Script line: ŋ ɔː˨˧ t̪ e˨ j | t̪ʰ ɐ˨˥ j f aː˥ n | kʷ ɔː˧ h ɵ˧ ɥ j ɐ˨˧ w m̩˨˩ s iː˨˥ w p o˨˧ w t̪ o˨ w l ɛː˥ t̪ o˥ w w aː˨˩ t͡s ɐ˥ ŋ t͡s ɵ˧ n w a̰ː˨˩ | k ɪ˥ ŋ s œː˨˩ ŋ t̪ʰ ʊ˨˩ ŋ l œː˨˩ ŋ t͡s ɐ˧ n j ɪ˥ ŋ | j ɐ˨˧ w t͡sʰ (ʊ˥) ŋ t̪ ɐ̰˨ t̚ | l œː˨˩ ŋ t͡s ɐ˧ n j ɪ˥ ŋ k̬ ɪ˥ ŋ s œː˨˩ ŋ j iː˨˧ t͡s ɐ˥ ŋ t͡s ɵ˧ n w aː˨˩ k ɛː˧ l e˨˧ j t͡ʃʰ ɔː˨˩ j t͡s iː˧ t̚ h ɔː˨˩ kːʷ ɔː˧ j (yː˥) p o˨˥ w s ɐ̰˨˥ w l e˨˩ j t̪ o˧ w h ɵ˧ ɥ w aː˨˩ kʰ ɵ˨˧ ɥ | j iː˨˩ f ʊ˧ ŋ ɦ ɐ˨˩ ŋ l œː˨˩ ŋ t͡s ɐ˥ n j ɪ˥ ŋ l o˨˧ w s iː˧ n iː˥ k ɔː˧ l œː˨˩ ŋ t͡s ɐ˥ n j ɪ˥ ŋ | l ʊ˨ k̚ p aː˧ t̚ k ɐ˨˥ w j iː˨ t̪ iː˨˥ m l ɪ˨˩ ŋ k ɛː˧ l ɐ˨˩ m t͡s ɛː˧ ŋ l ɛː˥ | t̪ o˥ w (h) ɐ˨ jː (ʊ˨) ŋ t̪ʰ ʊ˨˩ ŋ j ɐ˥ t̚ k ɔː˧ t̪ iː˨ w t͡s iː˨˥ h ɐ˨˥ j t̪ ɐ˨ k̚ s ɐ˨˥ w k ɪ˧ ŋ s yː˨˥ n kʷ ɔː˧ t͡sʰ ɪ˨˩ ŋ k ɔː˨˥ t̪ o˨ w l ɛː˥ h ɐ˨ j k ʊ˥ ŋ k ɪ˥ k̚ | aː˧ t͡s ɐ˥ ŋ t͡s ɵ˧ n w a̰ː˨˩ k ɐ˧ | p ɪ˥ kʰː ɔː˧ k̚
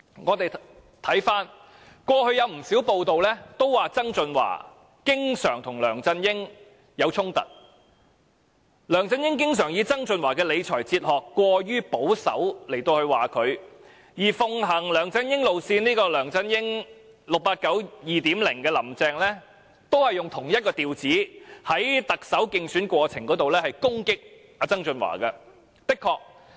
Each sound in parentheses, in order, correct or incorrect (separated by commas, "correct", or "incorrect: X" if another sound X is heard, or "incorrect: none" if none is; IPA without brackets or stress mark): correct, correct, correct, correct